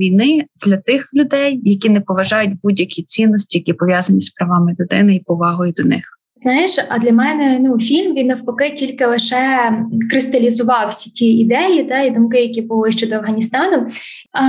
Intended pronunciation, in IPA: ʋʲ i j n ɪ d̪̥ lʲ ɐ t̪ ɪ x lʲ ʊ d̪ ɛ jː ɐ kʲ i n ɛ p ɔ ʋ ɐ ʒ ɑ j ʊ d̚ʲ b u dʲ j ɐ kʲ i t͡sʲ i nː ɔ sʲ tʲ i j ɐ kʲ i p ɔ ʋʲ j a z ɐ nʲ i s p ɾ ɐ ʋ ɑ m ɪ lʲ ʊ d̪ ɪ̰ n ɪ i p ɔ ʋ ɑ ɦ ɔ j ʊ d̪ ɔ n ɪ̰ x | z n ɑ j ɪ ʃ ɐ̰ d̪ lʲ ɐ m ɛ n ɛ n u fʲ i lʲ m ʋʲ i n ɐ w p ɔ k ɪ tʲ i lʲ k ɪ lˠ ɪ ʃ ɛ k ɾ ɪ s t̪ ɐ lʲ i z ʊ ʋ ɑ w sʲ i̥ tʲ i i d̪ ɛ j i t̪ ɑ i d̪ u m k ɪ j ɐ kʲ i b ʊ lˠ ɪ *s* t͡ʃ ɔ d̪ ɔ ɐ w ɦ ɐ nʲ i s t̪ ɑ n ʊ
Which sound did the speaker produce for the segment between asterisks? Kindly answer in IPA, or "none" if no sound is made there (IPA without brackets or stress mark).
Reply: ʃ